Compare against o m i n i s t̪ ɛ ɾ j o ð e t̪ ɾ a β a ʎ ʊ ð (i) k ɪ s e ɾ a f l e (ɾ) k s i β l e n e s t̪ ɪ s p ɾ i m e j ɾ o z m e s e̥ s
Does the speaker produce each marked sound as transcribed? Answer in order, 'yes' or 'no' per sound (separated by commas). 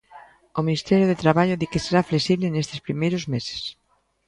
yes, no